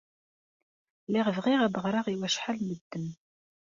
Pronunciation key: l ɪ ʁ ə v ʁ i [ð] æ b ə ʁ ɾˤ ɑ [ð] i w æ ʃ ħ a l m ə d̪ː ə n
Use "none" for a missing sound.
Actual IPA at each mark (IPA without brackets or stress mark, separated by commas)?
ʁ, ʁ